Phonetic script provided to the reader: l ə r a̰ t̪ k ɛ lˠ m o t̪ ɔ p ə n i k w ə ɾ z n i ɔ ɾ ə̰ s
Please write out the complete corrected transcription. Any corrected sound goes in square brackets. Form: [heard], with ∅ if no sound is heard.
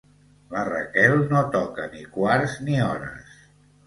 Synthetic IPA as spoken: l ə r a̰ [∅] k ɛ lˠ [n] o t̪ ɔ [k] ə n i k w [a] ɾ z n i ɔ ɾ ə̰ s

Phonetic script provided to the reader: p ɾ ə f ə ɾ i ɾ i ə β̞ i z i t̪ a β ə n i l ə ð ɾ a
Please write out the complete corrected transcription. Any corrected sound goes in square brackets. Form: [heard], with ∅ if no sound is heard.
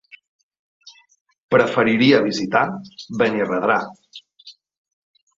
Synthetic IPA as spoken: p ɾ ə f ə ɾ i ɾ i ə β̞ i z i t̪ a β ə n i [r] ə ð ɾ a

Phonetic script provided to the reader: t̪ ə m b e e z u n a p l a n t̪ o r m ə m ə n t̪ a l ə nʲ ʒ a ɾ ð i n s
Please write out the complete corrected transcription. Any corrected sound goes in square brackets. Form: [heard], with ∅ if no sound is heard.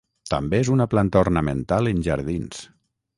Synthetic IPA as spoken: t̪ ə m b e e z u n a p l a n t̪ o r [n] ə m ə n t̪ a l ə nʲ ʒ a ɾ ð i n s

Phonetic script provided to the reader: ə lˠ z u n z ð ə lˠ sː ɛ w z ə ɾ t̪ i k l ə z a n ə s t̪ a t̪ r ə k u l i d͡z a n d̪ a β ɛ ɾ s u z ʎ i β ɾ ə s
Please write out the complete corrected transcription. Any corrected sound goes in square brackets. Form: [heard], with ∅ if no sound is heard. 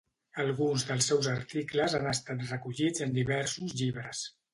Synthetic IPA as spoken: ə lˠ [ɣ] u n z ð ə lˠ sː ɛ w z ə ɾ t̪ i k l ə z a n ə s t̪ a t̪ r ə k u [ʎ] i d͡z [ə] n d̪ [i] β ɛ ɾ s u z ʎ i β ɾ ə s

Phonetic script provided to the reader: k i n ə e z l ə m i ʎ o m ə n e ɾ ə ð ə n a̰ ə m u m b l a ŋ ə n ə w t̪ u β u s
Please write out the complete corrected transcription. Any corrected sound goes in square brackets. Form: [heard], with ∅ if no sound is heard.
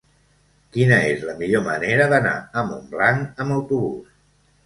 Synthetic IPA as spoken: k i n ə e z l ə m i ʎ o m ə n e ɾ ə ð ə n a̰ ə m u m b l a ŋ ə [m] ə w t̪ u β u s

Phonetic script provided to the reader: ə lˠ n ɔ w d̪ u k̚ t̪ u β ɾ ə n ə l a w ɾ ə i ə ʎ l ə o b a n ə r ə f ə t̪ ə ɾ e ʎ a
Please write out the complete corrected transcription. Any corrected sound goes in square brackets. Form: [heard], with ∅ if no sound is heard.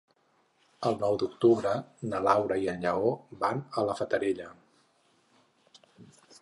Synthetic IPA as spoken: ə lˠ n ɔ w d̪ u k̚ t̪ u β ɾ ə n ə l a w ɾ ə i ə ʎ [ʎ] ə o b a n ə [l] ə f ə t̪ ə ɾ e ʎ [ə]

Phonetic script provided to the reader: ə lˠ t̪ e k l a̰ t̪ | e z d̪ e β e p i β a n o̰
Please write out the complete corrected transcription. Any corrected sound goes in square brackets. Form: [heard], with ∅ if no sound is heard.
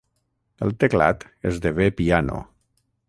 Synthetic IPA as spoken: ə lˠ t̪ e k l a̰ t̪ | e z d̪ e β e p i [∅] a n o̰

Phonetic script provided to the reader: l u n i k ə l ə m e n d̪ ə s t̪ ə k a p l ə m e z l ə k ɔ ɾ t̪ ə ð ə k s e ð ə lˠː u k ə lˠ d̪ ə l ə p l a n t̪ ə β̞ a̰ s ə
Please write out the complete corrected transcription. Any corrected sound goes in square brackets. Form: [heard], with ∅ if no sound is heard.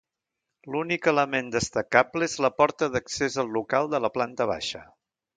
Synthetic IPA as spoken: l u n i k ə l ə m e n d̪ ə s t̪ ə k a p l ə [∅] e z l ə [p] ɔ ɾ t̪ ə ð ə k s e [z] ə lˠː u k [a] lˠ d̪ ə l ə p l a n t̪ ə β̞ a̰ [ʃ] ə

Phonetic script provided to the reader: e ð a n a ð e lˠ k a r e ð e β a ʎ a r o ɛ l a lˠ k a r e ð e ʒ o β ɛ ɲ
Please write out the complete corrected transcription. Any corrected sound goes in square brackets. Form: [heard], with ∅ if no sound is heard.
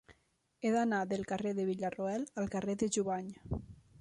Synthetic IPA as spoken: e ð a n a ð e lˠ k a r e ð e β [i] ʎ a r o ɛ l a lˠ k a r e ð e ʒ [u] β [a] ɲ

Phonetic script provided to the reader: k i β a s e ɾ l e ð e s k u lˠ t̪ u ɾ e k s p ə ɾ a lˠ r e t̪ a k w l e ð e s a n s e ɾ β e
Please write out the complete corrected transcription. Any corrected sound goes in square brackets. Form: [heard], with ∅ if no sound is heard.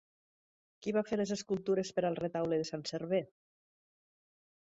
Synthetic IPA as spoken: k i β a [f] e ɾ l e [z] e s k u lˠ t̪ u ɾ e [∅] s p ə ɾ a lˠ r e t̪ a [∅] w l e ð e s a n s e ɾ β e

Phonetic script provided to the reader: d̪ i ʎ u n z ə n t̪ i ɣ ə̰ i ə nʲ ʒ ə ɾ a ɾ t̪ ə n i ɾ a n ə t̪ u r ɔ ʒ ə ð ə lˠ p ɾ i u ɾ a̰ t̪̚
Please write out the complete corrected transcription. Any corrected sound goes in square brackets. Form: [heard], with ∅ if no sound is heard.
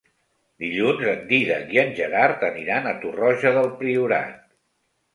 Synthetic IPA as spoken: d̪ i ʎ u n z ə n [d̪] i [ð] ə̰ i ə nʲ ʒ ə ɾ a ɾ t̪ ə n i ɾ a n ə t̪ u r ɔ ʒ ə ð ə lˠ p ɾ i u ɾ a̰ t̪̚

